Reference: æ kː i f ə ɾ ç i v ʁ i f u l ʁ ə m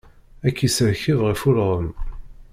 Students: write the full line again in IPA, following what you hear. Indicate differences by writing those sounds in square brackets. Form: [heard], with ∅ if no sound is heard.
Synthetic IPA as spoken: æ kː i [s] ə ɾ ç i v ʁ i f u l ʁ ə m

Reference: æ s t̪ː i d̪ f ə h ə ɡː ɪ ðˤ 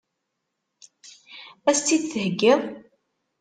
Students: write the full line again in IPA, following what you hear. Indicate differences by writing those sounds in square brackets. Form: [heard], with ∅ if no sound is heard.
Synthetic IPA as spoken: æ s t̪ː i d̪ [θ] ə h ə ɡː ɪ ðˤ

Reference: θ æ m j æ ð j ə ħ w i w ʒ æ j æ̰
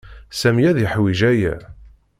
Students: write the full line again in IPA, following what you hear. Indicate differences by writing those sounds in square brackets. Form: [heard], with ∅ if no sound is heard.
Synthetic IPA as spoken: [s] æ m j æ ð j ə ħ w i [∅] ʒ æ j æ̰

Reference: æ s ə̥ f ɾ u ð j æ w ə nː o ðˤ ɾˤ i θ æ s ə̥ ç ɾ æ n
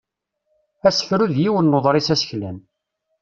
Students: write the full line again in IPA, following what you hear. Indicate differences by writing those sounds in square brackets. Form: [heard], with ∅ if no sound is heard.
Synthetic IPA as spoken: æ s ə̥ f ɾ u ð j [i] w ə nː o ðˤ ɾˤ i [s] æ s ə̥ ç [l] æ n

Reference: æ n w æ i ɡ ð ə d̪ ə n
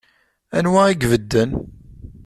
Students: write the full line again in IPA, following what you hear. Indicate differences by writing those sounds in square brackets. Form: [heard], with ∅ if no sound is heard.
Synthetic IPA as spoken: æ n w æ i ɡ [v] ə [d̪ː] ə n

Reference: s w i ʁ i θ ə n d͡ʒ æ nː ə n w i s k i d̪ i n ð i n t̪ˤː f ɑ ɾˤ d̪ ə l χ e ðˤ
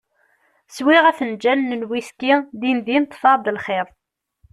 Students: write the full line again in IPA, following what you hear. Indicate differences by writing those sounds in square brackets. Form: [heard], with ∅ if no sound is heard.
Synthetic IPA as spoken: s w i ʁ [æ] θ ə n d͡ʒ æ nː ə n w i s k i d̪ i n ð i n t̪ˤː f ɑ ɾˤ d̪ ə l χ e ðˤ

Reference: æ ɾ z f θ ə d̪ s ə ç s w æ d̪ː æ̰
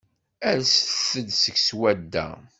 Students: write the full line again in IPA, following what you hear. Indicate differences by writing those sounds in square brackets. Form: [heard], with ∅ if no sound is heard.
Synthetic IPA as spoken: æ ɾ [s] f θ ə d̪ s ə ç s w æ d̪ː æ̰

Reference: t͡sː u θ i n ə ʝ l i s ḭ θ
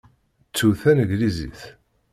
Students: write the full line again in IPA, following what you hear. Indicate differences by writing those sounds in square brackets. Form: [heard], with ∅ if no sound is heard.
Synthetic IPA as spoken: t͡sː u θ [æ] n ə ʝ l i [z] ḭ θ

